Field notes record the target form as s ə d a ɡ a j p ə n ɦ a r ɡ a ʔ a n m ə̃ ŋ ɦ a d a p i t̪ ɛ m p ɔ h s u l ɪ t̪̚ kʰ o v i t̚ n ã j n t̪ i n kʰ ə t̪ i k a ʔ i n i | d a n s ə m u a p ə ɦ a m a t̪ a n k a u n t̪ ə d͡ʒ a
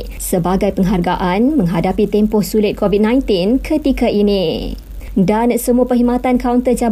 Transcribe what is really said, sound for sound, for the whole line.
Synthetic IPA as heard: s ə b a ɡ a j p ə ŋ ɦ a r ɡ a ʔ a n m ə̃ ŋ ɦ a d a p i t̪ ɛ m p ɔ h s u l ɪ t̪̚ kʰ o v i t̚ n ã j n t̪ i n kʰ ə t̪ i k a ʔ i n i | d a n s ə m u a p ə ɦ i m a t̪ a n k a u n t̪ ə d͡ʒ a